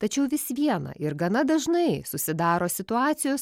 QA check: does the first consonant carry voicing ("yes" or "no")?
no